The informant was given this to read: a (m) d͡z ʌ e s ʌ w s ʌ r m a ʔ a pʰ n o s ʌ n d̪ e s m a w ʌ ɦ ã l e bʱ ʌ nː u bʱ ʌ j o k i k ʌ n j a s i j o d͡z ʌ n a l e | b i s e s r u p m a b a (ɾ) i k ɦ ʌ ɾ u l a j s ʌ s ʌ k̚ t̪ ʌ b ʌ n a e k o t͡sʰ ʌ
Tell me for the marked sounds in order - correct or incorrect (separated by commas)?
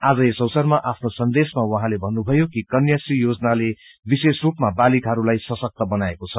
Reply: incorrect, incorrect